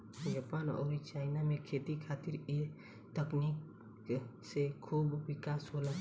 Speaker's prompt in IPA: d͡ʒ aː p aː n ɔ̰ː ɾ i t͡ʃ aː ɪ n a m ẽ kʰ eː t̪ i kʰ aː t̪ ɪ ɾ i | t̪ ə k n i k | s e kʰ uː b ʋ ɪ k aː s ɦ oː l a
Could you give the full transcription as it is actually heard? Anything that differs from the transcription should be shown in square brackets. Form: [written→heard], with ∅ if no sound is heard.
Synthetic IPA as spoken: d͡ʒ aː p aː n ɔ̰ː ɾ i t͡ʃ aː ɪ n a m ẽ kʰ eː t̪ i kʰ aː t̪ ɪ ɾ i | t̪ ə k n i k | s e kʰ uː b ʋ ɪ k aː s ɦ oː l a